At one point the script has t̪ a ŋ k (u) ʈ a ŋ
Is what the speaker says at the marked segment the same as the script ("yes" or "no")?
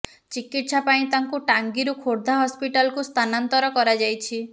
yes